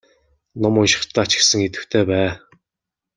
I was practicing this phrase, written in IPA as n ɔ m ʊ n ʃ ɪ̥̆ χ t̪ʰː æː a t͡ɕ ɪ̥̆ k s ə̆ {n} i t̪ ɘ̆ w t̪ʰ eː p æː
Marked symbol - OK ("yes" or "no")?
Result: no